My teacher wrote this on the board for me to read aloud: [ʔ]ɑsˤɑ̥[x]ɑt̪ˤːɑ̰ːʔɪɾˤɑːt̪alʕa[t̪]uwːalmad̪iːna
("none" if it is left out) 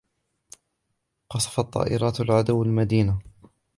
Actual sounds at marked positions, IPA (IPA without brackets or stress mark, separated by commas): q, f, d̪